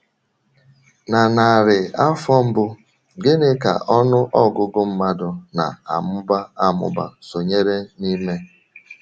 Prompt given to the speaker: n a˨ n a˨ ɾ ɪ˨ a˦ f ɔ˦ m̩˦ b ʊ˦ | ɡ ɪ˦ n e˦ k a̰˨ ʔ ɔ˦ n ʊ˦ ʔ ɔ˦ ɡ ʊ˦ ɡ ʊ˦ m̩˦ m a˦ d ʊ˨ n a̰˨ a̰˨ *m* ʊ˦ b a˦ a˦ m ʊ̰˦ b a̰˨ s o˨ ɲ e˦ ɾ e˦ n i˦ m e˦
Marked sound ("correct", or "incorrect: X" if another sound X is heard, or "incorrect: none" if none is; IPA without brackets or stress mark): correct